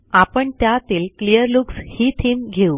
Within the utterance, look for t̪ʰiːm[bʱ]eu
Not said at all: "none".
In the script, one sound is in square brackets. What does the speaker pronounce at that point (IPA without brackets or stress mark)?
ɡʱ